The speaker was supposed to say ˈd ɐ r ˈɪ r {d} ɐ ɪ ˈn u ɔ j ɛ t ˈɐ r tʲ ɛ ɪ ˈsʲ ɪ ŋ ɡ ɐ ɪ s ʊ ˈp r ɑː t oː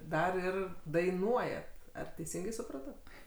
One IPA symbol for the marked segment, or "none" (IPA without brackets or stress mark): d